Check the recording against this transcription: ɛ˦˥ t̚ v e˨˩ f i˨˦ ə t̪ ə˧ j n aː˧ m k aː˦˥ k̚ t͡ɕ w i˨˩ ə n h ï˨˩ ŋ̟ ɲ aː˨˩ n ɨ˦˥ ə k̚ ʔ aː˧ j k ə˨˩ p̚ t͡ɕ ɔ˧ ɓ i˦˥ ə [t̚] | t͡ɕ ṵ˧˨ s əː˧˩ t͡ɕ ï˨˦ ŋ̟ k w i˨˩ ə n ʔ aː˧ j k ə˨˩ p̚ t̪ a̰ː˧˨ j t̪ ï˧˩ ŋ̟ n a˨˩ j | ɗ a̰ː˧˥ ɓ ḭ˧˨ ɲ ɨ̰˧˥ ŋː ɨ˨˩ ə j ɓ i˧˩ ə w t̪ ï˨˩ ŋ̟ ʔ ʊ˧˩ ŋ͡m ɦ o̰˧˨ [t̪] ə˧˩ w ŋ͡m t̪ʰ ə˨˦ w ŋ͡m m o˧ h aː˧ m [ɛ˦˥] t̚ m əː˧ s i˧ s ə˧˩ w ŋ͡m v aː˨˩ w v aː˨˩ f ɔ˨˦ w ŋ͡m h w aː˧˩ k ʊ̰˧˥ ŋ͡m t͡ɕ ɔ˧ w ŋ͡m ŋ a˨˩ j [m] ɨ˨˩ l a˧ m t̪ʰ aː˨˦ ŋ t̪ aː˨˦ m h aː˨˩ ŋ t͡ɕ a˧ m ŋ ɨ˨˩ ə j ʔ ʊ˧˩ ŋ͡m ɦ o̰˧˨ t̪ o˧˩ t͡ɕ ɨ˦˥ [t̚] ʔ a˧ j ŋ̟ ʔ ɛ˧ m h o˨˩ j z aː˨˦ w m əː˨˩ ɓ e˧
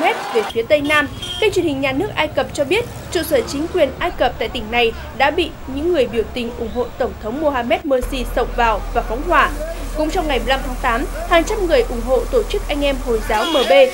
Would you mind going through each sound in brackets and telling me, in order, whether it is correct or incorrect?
correct, correct, correct, correct, incorrect: k̚

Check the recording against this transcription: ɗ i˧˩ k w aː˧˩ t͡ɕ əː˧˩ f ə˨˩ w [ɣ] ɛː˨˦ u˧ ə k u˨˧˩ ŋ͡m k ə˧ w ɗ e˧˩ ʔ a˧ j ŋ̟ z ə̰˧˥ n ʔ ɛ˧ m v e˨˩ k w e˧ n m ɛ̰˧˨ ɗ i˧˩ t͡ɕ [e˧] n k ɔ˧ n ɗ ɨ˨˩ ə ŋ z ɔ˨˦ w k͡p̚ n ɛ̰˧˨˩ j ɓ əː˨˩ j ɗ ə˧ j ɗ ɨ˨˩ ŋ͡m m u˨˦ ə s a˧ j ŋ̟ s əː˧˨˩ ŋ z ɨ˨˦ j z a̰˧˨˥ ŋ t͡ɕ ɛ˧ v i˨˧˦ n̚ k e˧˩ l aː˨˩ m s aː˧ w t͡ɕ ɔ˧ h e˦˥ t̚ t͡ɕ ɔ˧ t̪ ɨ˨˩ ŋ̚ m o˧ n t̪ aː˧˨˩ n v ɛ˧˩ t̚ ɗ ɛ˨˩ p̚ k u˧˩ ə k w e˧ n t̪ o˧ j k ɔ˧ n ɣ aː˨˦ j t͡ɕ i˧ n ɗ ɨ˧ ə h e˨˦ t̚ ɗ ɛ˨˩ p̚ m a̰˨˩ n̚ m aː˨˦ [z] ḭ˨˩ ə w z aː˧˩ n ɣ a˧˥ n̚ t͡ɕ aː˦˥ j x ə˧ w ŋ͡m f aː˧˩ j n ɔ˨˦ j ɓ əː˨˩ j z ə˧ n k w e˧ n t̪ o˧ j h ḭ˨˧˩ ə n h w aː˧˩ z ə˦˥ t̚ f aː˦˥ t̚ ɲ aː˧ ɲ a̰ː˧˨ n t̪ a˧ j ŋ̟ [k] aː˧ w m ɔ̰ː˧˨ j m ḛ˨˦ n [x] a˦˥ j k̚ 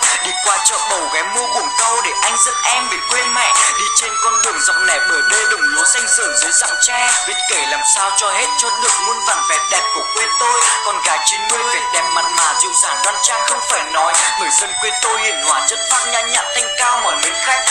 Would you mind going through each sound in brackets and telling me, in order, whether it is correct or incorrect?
correct, correct, correct, correct, correct

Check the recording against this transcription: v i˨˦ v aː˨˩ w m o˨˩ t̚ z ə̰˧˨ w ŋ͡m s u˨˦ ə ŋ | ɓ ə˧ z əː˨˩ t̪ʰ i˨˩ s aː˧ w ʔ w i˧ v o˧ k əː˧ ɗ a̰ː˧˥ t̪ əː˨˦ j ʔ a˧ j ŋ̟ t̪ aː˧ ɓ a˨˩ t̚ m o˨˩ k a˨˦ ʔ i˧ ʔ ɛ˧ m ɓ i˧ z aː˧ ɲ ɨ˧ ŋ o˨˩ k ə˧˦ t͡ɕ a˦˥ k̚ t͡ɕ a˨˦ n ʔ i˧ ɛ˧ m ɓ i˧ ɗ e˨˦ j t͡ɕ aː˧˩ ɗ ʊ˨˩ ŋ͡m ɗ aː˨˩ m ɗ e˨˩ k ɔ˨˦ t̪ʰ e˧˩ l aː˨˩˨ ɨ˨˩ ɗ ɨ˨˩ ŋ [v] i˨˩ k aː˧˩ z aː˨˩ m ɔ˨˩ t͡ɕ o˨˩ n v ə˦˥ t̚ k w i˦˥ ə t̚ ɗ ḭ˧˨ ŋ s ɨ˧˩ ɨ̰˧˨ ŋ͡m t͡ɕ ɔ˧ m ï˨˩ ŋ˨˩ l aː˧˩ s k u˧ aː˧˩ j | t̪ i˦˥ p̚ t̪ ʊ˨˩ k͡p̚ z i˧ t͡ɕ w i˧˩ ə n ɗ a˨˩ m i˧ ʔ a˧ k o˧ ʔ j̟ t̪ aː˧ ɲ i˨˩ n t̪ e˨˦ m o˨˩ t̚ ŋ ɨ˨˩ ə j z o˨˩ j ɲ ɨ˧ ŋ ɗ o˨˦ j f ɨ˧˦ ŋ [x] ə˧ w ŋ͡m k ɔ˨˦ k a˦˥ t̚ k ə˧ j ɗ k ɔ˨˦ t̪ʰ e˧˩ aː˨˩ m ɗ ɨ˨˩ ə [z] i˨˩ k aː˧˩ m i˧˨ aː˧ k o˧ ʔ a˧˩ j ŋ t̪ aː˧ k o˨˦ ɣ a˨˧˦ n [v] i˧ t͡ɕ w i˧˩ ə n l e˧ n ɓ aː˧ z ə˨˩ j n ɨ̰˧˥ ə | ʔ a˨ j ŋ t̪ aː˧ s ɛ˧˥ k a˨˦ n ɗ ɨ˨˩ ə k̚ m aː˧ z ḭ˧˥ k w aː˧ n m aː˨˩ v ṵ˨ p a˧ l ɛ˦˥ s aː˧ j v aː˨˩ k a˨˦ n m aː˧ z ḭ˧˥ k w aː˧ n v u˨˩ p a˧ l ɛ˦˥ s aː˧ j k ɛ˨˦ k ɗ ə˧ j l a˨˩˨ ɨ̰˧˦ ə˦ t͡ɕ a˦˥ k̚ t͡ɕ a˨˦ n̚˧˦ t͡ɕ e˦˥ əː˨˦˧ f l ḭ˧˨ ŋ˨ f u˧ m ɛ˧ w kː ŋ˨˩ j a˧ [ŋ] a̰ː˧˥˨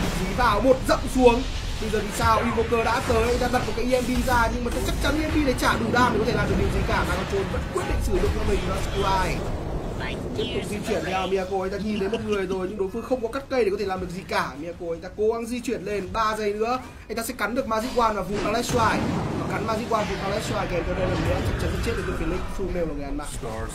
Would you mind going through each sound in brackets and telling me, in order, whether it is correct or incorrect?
incorrect: z, correct, correct, incorrect: z, incorrect: m

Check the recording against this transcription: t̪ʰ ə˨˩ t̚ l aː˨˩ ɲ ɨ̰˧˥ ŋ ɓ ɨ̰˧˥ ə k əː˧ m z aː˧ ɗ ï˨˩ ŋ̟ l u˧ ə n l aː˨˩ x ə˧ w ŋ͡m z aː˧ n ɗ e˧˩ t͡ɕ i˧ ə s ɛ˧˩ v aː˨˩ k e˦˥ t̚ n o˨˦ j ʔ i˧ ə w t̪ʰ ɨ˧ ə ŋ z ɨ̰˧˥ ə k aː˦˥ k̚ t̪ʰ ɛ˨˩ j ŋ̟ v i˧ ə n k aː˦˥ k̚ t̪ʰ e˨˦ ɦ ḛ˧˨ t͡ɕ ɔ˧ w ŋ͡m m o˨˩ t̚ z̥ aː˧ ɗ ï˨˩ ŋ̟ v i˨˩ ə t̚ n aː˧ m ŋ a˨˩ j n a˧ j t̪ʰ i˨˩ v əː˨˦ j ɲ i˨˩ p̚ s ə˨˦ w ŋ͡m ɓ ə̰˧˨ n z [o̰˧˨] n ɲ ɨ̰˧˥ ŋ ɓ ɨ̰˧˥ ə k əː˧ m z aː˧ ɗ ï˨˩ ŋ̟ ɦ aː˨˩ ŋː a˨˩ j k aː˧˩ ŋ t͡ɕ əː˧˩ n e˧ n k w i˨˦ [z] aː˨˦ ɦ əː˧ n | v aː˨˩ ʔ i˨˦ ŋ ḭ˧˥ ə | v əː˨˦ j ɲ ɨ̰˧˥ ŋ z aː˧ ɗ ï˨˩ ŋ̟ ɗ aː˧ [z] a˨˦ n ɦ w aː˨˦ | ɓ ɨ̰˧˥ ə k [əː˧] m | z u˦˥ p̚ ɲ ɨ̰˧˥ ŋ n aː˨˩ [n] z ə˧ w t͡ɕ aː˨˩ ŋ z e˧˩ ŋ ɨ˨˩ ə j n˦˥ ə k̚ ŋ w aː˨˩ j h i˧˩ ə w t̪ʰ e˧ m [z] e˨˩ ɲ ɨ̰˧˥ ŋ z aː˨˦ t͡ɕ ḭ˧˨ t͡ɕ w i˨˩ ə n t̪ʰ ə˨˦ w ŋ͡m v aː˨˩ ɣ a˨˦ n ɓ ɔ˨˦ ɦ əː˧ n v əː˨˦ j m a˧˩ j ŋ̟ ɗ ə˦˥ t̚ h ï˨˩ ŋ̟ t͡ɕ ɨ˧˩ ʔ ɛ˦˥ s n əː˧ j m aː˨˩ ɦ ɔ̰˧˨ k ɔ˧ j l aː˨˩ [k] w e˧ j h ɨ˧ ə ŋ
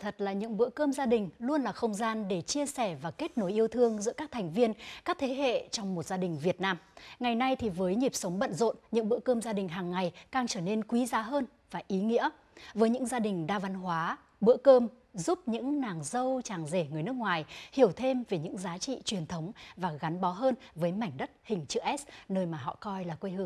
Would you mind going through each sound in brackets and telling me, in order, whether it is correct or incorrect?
correct, correct, incorrect: v, correct, incorrect: ŋ, incorrect: v, correct

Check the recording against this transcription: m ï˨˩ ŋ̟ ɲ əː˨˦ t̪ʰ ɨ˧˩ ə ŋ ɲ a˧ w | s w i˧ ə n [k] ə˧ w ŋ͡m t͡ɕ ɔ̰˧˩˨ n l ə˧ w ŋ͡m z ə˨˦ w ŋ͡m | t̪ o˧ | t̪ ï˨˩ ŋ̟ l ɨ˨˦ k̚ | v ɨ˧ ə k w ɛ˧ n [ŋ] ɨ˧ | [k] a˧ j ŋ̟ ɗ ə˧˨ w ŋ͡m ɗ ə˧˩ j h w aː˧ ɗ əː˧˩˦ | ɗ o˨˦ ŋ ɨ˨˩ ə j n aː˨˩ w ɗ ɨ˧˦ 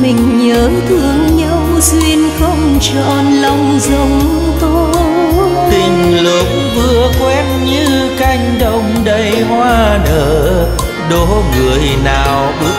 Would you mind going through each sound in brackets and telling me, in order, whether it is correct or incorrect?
incorrect: x, incorrect: ɲ, correct

